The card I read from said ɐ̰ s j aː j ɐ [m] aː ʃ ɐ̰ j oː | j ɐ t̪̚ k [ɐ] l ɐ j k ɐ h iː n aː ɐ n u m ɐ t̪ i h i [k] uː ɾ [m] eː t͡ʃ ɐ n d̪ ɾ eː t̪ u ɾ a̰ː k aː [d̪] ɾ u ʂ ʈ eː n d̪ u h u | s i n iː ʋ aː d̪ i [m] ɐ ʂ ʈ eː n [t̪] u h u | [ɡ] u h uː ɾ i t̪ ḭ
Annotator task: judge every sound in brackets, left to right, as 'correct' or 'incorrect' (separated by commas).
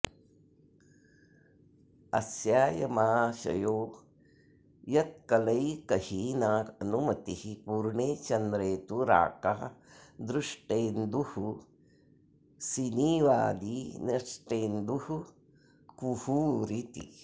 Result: correct, correct, incorrect, incorrect, correct, incorrect, incorrect, incorrect